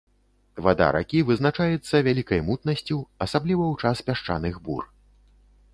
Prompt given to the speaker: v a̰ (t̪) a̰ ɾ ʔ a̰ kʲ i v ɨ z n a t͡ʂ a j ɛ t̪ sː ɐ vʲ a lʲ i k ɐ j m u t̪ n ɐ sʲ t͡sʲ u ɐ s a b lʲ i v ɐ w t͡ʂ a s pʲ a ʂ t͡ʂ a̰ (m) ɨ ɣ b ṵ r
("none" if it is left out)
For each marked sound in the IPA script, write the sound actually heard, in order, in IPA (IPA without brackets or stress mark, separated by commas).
d̪, n